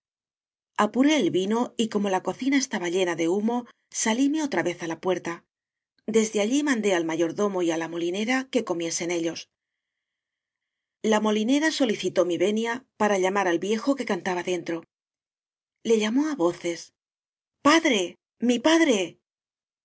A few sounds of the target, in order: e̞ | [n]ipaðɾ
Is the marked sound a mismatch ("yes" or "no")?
yes